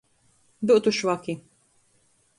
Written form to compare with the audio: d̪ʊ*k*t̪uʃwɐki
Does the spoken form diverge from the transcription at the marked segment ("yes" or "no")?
yes